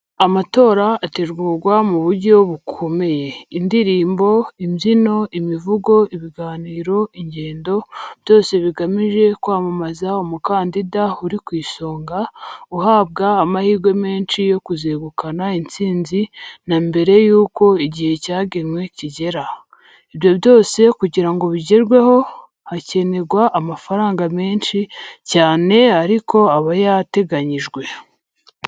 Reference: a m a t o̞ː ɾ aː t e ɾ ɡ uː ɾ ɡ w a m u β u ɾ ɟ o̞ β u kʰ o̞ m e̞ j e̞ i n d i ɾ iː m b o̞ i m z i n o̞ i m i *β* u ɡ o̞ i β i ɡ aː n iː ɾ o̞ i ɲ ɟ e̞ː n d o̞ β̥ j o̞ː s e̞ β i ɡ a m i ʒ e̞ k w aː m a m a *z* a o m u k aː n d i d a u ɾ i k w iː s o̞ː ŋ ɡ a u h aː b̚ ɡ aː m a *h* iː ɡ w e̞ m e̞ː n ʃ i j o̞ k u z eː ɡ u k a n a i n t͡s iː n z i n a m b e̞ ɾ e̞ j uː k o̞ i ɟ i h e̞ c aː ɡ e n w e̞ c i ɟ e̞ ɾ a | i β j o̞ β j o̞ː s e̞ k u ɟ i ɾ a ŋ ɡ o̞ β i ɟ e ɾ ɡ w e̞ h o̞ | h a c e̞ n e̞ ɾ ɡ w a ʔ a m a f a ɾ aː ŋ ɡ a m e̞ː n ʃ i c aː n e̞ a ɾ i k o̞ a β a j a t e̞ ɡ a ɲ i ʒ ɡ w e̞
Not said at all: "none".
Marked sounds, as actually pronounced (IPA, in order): v, z, h

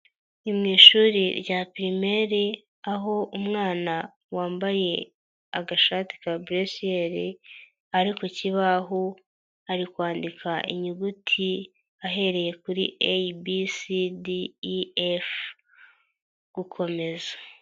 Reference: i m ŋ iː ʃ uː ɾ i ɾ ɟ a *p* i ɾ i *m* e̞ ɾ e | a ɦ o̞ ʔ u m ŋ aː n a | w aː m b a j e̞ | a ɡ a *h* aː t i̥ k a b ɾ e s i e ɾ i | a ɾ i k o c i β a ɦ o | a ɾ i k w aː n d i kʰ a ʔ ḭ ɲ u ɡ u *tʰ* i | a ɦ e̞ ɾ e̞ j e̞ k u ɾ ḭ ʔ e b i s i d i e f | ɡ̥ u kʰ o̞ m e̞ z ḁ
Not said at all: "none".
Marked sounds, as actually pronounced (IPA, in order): p, m, ʃ, tʰ

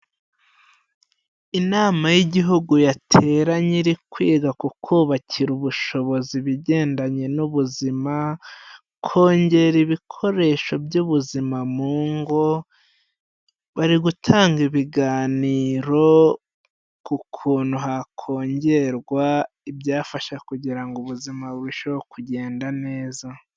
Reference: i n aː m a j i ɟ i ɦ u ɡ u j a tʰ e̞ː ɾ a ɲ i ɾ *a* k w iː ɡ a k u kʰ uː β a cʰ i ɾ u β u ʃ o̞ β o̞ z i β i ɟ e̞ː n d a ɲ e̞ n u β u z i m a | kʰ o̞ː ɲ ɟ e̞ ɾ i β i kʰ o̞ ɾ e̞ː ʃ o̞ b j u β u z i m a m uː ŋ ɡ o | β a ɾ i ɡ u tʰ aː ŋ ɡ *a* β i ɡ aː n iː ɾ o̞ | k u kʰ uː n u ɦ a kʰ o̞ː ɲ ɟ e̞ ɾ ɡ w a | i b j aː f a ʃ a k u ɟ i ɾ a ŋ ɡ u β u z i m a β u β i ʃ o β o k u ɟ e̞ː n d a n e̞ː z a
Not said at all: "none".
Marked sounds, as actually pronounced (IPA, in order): i, i

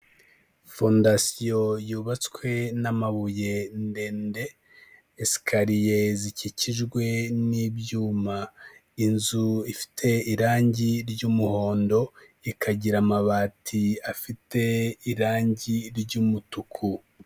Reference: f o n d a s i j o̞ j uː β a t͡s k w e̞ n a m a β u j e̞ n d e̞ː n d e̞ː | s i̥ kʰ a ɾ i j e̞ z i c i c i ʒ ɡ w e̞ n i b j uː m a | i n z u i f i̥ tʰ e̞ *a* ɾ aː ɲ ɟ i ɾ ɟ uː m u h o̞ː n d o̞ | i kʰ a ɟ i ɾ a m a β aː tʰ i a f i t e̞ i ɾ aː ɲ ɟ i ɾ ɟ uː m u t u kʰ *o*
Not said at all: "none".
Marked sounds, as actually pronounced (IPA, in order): i, u

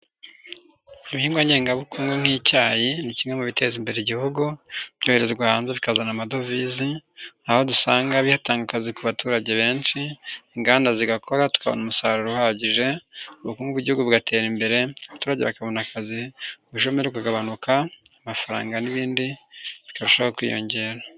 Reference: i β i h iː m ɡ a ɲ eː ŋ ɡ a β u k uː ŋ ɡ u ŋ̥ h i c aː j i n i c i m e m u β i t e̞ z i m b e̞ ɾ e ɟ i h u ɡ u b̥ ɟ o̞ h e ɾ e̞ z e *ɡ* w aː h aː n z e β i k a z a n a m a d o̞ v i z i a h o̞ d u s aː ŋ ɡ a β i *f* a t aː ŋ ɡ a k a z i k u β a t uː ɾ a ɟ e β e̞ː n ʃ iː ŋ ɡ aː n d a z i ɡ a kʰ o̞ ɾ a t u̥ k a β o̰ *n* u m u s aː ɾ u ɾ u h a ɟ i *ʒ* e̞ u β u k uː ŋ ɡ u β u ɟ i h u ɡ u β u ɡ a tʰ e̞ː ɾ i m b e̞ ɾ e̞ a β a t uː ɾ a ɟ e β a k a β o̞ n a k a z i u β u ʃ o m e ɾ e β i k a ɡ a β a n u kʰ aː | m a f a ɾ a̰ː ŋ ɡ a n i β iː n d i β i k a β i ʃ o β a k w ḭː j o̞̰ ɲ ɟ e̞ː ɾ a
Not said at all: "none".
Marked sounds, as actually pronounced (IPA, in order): ɡ, h, n, ʒ

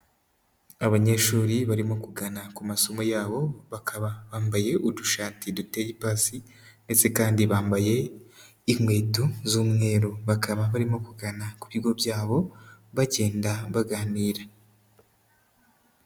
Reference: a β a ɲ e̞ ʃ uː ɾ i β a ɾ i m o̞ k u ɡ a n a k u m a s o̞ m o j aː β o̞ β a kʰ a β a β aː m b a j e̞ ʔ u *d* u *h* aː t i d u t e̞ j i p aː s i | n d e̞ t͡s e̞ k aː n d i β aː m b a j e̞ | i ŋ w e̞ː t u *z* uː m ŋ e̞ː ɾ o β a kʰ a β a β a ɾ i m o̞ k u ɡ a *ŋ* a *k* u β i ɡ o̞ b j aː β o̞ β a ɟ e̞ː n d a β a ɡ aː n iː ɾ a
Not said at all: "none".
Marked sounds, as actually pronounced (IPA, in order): d, ʃ, z, n, k

